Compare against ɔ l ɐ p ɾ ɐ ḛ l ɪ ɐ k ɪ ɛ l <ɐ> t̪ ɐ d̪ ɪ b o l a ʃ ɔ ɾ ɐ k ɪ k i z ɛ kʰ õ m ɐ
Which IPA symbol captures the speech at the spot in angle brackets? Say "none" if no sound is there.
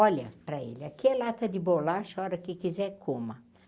a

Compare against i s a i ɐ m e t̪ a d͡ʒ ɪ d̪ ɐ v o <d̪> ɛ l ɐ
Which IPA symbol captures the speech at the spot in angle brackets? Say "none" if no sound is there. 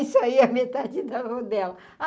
d̪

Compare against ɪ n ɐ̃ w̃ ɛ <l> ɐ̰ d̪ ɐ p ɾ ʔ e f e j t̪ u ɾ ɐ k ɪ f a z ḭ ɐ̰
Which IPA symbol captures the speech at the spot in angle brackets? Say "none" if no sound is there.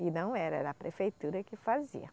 ɾ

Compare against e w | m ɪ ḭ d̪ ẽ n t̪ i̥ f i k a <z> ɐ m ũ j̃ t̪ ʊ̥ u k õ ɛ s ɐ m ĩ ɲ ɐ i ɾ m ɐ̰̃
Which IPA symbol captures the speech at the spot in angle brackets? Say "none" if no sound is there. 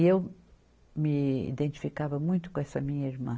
v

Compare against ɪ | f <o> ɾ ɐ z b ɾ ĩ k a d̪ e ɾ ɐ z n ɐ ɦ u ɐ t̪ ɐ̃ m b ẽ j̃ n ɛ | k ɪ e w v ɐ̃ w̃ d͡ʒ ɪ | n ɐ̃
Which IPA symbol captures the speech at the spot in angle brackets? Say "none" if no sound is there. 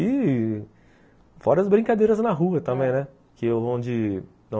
ɔ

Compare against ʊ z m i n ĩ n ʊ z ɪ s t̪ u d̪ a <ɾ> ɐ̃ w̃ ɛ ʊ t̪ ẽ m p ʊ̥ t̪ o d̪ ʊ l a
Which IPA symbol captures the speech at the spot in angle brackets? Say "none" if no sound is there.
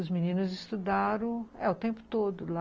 ɾ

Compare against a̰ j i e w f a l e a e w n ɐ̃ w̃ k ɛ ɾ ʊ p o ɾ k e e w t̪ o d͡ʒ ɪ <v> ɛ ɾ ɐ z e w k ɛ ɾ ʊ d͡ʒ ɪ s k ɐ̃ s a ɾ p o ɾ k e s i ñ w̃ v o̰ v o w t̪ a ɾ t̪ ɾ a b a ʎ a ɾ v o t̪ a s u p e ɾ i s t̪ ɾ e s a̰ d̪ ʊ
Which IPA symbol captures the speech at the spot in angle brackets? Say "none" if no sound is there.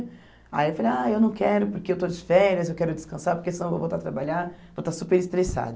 f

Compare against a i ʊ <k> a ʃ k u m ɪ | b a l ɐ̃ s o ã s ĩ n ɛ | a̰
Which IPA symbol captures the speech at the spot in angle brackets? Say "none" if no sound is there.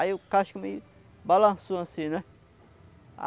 k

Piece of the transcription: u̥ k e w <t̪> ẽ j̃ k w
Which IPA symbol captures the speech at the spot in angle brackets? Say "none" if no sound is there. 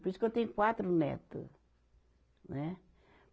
t̪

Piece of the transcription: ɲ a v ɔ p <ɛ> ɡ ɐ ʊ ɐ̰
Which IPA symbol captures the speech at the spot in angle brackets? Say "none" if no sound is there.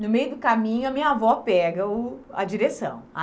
ɛ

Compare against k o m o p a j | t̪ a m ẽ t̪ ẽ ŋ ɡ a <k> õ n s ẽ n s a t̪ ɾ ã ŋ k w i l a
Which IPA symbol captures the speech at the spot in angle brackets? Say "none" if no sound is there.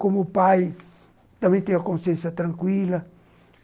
k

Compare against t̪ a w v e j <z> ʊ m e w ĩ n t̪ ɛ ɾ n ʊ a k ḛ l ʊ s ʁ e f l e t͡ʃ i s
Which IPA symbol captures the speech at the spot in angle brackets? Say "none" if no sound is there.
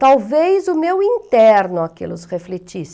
z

